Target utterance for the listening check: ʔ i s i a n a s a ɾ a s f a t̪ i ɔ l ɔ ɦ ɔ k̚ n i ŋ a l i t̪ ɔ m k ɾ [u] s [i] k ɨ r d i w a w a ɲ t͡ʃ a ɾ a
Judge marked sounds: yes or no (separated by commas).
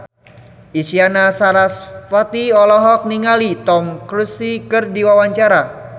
yes, yes